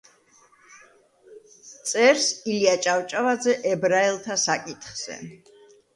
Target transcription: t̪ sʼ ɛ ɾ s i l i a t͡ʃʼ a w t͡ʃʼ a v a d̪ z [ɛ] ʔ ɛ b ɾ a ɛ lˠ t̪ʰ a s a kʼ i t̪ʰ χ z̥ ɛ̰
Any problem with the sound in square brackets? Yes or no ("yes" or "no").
no